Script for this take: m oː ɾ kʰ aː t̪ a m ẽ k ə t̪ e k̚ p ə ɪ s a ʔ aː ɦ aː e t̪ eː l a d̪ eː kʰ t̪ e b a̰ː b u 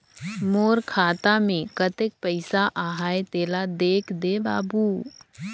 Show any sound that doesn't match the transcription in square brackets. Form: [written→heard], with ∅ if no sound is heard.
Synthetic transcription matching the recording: m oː ɾ kʰ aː t̪ a m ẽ k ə t̪ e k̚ p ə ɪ s a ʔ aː ɦ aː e t̪ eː l a d̪ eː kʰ [t̪→d̪] e b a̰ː b u